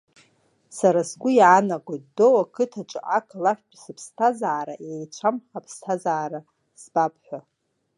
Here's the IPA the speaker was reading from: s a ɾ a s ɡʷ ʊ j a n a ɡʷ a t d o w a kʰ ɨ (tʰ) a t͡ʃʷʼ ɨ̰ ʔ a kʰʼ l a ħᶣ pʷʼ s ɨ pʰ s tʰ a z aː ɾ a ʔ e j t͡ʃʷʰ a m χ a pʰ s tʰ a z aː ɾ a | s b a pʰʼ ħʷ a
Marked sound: correct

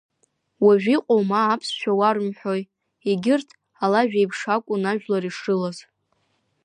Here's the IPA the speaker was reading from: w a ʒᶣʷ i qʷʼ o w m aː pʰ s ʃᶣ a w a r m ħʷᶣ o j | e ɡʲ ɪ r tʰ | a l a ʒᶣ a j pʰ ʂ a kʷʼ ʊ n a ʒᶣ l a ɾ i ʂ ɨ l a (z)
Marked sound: correct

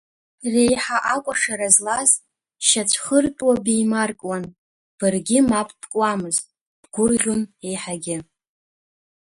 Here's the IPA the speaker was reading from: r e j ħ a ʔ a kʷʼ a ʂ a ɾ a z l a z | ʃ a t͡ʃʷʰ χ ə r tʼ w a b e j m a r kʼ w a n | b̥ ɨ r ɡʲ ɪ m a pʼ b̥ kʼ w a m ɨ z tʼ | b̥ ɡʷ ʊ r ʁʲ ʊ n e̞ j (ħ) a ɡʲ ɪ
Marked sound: correct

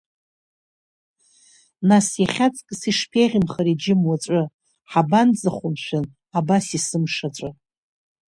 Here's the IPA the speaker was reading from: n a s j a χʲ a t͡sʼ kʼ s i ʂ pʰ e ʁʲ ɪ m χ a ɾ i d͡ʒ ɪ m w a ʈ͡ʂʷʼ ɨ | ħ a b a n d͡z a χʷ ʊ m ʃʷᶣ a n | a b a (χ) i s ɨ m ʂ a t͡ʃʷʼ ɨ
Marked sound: incorrect: s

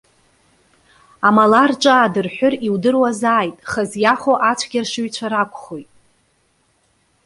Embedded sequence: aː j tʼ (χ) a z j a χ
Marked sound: correct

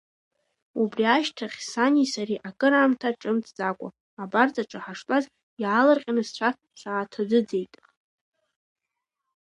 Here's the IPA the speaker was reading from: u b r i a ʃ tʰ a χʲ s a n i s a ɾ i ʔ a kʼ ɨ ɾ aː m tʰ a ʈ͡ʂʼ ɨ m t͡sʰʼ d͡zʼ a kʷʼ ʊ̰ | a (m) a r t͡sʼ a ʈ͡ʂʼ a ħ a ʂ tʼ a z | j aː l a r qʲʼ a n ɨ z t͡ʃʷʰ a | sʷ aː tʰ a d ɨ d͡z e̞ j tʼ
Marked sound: incorrect: b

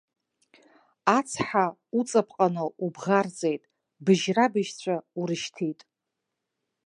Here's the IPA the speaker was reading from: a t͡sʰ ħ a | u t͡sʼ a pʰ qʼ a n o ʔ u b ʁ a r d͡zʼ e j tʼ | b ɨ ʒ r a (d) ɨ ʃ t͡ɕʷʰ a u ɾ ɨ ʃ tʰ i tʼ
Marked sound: incorrect: b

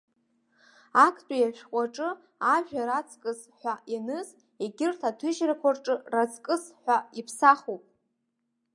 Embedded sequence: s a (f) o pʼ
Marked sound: incorrect: χ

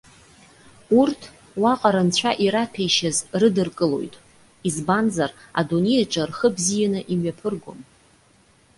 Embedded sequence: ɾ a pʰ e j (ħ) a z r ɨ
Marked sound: incorrect: ʃ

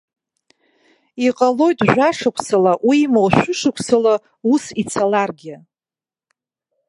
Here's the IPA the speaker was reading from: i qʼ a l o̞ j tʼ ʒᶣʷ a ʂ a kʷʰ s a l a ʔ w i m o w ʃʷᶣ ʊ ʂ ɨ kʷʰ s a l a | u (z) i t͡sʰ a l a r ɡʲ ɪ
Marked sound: incorrect: s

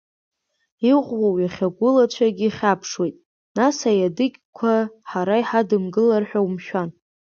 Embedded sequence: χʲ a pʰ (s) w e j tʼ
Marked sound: incorrect: ʂ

